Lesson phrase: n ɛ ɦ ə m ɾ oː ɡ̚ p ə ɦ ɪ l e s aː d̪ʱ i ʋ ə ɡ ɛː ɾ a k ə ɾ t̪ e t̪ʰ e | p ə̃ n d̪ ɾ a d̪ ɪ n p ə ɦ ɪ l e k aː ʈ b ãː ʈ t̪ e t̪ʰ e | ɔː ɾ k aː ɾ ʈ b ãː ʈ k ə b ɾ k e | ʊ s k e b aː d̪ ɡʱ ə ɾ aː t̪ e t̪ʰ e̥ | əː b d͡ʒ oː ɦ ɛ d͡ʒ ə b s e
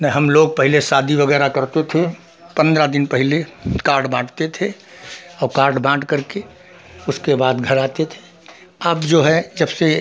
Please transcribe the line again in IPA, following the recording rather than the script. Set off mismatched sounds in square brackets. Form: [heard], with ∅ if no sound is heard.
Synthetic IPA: n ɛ ɦ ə m [l] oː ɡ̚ p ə ɦ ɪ l e s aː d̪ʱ i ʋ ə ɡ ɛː ɾ a k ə ɾ t̪ e t̪ʰ e | p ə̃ n d̪ ɾ a d̪ ɪ n p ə ɦ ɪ l e k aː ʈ b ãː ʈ t̪ e t̪ʰ e | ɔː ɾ k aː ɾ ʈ b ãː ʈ k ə [∅] ɾ k e | ʊ s k e b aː d̪ ɡʱ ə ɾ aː t̪ e t̪ʰ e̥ | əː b d͡ʒ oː ɦ ɛ d͡ʒ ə b s e

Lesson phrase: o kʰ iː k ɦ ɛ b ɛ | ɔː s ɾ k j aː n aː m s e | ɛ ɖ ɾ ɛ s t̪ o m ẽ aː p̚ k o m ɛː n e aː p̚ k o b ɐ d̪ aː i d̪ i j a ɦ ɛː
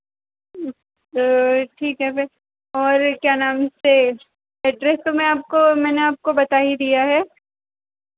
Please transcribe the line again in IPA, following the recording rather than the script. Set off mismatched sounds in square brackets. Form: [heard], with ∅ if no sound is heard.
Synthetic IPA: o [ʈʰ] iː k ɦ ɛ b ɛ | ɔː [∅] ɾ k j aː n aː m s e | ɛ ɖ ɾ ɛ s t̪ o m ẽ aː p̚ k o m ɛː n e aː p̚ k o b ɐ [t̪] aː i d̪ i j a ɦ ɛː

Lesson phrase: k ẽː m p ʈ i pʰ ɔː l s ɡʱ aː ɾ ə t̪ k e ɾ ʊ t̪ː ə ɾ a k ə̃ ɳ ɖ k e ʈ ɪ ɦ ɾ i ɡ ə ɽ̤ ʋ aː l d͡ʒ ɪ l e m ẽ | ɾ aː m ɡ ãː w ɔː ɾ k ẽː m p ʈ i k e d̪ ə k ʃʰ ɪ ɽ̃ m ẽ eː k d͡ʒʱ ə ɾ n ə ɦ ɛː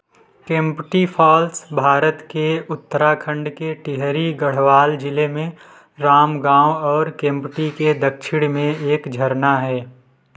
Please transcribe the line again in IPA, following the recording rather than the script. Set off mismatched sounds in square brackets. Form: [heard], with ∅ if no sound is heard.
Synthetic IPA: k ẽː m p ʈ i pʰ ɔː l s [bʱ] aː ɾ ə t̪ k e [∅] ʊ t̪ː ə ɾ a [kʰ] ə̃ ɳ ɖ k e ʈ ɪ ɦ ɾ i ɡ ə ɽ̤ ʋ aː l d͡ʒ ɪ l e m ẽ | ɾ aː m ɡ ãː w ɔː ɾ k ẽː m p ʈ i k e d̪ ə k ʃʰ ɪ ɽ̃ m ẽ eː k d͡ʒʱ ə ɾ n [a] ɦ ɛː

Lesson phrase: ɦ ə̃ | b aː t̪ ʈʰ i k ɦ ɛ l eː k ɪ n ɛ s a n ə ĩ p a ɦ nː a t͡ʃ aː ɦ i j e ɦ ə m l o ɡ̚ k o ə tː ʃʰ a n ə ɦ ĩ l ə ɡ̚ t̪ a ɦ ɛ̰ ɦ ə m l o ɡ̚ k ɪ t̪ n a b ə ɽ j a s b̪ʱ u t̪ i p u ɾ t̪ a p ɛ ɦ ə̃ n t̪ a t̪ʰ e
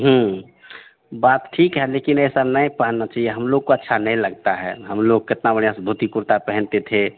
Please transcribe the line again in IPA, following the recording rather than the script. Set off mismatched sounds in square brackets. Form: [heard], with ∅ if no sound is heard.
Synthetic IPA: ɦ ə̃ | b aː t̪ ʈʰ i k ɦ ɛ l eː k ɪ n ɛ s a n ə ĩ p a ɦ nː a t͡ʃ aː ɦ i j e ɦ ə m l o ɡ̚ k o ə tː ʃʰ a n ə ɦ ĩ l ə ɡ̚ t̪ a ɦ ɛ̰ ɦ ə m l o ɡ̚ k ɪ t̪ n a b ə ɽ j a s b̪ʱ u t̪ i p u ɾ t̪ a p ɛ ɦ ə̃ n t̪ [e] t̪ʰ e

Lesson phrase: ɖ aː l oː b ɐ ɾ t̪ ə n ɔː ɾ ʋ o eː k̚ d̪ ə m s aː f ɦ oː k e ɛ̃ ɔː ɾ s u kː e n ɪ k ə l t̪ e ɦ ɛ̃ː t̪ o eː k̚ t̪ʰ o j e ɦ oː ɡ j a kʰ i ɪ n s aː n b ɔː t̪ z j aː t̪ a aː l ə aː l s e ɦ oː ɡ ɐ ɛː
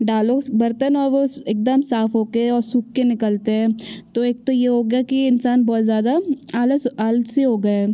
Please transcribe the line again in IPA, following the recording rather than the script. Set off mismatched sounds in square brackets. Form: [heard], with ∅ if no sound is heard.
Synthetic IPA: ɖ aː l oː b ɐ ɾ t̪ ə n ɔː ɾ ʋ o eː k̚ d̪ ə m s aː f ɦ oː k e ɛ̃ ɔː ɾ s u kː e n ɪ k ə l t̪ e ɦ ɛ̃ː t̪ o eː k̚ [t̪] o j e ɦ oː ɡ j a [k] i ɪ n s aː n b ɔː t̪ z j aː [d̪] a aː l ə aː l s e ɦ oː ɡ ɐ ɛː

